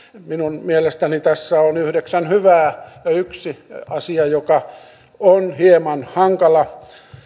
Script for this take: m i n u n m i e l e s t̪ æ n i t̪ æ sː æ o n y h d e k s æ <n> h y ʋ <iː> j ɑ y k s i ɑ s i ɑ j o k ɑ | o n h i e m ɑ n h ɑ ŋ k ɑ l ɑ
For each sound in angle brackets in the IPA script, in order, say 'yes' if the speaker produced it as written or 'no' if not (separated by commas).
yes, no